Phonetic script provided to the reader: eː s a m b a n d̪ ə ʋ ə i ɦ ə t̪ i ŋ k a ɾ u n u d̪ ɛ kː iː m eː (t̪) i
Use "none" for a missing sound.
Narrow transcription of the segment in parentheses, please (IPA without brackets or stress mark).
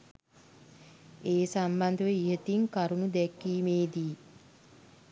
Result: d̪